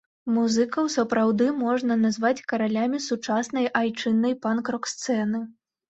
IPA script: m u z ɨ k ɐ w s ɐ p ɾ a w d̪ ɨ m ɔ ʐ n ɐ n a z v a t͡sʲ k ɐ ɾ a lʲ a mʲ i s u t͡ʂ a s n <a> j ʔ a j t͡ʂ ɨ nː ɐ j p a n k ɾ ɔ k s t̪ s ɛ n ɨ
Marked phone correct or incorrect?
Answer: incorrect